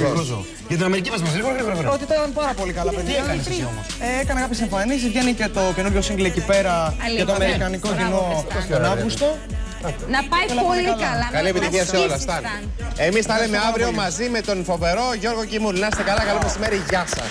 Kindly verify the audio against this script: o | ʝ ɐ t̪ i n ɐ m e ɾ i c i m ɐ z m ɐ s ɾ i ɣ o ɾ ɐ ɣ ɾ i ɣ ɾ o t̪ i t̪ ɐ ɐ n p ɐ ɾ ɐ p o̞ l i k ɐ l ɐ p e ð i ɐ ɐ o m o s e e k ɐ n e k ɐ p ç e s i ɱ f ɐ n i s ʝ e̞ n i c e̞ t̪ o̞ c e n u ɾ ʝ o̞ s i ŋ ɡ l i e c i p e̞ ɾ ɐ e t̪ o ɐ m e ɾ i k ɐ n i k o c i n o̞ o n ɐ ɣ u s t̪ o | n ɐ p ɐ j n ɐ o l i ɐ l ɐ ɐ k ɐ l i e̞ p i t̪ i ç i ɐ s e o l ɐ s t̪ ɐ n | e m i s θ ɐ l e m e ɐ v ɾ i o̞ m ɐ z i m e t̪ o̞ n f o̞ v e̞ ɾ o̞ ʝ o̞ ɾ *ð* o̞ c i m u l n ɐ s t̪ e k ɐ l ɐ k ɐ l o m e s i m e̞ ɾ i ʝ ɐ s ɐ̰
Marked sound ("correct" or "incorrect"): incorrect